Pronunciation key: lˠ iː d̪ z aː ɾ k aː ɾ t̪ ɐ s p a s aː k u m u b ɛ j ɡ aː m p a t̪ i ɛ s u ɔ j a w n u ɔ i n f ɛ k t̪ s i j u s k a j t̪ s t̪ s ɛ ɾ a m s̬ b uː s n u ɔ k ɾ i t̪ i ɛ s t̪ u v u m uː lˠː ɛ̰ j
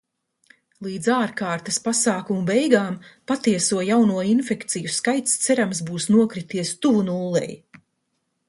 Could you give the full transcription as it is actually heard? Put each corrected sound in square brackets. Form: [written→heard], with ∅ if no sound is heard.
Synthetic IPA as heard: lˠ iː d̪ z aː ɾ k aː ɾ t̪ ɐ s p a s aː k u m u b ɛ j ɡ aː m p a t̪ i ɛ s u ɔ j a w n u ɔ i n f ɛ k t̪ s i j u s k a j t̪ s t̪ s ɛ ɾ a m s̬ b uː s n u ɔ k ɾ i t̪ i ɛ s t̪ u v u [m→n] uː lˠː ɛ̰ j